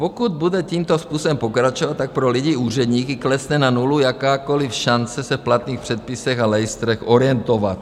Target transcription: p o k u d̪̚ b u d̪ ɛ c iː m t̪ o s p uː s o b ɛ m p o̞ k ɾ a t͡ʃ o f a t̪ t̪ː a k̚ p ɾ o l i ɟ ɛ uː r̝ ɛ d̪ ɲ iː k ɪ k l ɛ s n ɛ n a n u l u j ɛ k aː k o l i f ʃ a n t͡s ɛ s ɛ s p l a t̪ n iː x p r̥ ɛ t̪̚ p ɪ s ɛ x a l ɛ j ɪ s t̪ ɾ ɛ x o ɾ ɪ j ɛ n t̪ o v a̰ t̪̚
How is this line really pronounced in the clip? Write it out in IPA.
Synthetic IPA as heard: p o k u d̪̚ b u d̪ ɛ c iː m t̪ o s p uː s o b ɛ m p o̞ k ɾ a t͡ʃ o v a t̪ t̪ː a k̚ p ɾ o l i ɟ i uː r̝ ɛ d̪ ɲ iː k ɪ k l ɛ s n ɛ n a n u l u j a k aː k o l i f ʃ a n t͡s ɛ s ɛ f p l a t̪ n iː x p r̥ ɛ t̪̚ p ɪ s ɛ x a l ɛ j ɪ s t̪ ɾ ɛ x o ɾ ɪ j ɛ n t̪ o v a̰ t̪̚